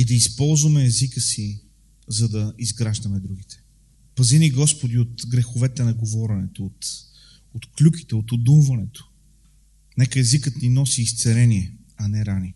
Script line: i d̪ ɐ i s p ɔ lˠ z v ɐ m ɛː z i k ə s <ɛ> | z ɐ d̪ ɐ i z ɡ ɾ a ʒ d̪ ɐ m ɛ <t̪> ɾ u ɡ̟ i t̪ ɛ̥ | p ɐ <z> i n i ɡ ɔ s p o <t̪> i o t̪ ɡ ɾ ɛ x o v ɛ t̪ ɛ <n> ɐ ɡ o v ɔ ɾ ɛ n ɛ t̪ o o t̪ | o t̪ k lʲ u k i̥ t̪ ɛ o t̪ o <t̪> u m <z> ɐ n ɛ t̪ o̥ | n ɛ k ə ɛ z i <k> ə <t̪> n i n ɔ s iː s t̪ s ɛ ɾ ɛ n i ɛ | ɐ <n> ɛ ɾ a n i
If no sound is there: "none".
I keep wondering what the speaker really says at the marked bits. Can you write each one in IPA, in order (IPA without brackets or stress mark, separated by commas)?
i, d̪, z, d̪, n, d̪, v, k, t̪, n